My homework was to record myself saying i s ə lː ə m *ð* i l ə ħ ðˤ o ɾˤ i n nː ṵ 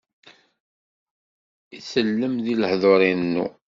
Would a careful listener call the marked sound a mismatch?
no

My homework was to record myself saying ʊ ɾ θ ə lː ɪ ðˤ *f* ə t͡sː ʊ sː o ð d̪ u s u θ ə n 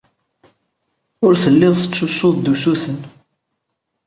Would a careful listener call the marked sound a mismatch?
yes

